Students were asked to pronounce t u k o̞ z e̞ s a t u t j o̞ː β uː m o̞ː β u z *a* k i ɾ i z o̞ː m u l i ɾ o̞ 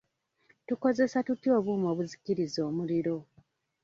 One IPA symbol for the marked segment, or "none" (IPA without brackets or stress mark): i